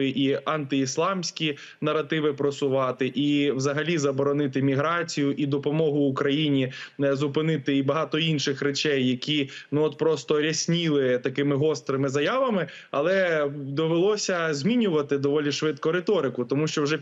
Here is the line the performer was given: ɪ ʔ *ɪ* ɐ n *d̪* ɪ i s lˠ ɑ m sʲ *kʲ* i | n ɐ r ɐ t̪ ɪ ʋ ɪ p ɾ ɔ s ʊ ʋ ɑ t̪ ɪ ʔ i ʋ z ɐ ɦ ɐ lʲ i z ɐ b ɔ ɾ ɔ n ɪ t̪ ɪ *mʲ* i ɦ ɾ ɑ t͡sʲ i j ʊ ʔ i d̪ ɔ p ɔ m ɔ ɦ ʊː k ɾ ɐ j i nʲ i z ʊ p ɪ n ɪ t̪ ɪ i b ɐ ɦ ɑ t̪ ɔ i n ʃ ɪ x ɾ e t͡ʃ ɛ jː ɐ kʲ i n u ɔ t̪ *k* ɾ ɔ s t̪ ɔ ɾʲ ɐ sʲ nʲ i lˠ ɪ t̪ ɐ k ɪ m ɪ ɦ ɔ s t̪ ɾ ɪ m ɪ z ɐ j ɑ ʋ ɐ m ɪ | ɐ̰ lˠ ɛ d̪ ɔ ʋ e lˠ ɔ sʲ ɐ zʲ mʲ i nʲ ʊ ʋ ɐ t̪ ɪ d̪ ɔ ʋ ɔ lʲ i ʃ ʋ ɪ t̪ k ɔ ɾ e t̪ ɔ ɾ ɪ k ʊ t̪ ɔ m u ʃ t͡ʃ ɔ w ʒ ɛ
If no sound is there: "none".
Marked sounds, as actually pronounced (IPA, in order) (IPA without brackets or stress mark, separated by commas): i, t̪, kʲ, mʲ, p